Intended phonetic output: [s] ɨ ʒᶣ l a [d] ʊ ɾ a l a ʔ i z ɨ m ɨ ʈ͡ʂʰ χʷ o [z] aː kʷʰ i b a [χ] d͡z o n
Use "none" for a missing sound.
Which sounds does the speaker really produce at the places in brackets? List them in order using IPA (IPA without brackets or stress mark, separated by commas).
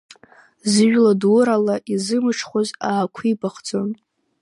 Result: z, d, z, χ